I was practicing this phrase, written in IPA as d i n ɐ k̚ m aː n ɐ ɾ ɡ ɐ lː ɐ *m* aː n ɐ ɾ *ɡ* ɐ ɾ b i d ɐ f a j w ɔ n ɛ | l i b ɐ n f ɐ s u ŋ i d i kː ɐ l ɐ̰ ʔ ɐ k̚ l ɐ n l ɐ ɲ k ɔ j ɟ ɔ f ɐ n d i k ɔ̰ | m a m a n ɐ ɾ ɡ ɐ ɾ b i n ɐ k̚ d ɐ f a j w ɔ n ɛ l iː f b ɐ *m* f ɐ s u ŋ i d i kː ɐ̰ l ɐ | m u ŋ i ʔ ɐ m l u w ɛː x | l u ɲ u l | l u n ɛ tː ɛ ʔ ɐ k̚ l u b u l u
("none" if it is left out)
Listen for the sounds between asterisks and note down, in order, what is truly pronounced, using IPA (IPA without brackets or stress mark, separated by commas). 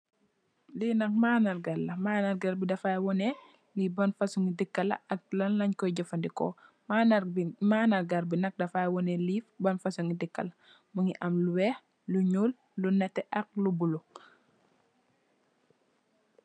m, ɡ, n